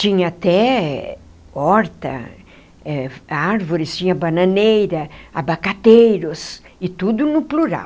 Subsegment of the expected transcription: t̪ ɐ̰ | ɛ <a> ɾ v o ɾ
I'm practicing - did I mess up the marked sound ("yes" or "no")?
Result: no